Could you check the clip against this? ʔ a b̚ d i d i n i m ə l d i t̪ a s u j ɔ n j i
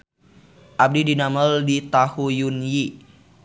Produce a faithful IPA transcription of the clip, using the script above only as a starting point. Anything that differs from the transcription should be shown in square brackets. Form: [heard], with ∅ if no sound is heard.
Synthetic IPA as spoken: ʔ a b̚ d i d i n [a] m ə l d i t̪ a [h] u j [u] n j i